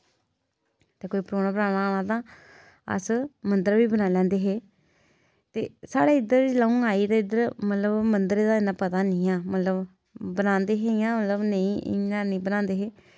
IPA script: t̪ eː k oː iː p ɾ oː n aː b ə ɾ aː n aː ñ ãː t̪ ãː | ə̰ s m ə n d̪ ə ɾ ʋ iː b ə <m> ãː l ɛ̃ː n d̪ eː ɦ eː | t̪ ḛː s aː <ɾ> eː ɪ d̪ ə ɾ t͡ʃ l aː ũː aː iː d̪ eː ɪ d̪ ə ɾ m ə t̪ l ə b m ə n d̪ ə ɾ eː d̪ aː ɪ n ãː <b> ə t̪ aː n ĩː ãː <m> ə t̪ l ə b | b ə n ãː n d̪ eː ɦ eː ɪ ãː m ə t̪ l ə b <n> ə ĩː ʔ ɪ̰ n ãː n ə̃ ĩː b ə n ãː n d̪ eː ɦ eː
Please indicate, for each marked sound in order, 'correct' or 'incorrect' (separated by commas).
incorrect, incorrect, incorrect, correct, correct